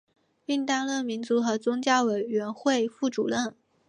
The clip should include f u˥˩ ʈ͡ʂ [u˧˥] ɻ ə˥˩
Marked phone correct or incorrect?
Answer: incorrect